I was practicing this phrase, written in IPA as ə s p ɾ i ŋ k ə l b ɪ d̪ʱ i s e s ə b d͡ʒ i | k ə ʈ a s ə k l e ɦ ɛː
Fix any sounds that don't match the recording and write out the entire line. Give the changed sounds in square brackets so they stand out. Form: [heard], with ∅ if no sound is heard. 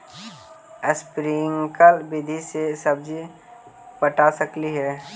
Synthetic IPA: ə s p ɾ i ŋ k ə l b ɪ d̪ʱ i s e s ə b d͡ʒ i | [p] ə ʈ a s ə k l [i] ɦ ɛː

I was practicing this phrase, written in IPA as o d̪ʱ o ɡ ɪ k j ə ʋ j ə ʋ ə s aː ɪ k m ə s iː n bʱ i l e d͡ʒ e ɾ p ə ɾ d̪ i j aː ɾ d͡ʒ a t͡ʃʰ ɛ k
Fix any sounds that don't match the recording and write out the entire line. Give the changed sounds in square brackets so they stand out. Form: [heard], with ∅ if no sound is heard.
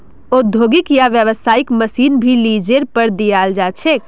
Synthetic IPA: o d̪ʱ o ɡ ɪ k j [a] ʋ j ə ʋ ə s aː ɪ k m ə s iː n bʱ i l [i] d͡ʒ e ɾ p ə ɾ d̪ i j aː [l] d͡ʒ a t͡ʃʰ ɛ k

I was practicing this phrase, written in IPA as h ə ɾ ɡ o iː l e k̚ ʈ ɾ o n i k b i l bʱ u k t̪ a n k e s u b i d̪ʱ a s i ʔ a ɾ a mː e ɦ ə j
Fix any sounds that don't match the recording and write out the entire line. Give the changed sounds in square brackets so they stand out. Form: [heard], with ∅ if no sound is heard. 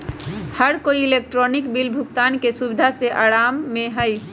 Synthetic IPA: h ə ɾ [k] o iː l e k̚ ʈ ɾ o n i k b i l bʱ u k t̪ a n k e s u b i d̪ʱ a s [e] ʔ a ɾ a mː e ɦ ə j

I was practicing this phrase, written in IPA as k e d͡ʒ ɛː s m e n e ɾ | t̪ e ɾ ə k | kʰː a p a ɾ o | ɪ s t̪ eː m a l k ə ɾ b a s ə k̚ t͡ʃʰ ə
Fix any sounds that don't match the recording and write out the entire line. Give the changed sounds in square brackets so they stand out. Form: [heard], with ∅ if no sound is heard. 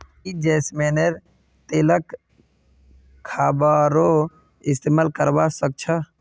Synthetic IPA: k [i] d͡ʒ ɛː s m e n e ɾ | t̪ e [l] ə k | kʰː a [b] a ɾ o | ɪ s t̪ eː m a l k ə ɾ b a s ə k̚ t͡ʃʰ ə

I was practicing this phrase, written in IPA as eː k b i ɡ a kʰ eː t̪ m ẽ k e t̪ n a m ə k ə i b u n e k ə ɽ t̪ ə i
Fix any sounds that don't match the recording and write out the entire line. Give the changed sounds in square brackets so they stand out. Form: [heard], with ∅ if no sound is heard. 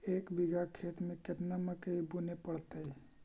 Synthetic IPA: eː k b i ɡ a kʰ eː t̪ m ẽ k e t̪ n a m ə k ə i b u n e [p] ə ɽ t̪ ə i

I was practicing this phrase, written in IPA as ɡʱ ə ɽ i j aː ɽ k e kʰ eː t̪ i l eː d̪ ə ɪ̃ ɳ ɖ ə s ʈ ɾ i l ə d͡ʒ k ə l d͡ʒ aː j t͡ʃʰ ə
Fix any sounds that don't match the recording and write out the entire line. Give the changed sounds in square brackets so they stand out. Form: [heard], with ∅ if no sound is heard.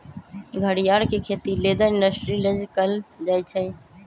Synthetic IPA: ɡʱ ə ɽ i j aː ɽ k e kʰ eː t̪ i l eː d̪ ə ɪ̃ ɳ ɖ ə s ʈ ɾ i l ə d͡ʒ k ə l d͡ʒ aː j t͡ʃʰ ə

